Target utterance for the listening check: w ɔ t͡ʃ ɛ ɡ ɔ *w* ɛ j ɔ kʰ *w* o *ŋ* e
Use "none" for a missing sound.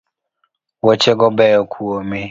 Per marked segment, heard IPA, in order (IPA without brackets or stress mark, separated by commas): b, u, m